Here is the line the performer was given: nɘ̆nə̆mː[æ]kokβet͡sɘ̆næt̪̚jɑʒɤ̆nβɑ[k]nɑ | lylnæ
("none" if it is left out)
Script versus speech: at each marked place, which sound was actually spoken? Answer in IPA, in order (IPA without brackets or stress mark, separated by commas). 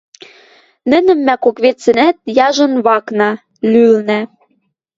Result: æ, k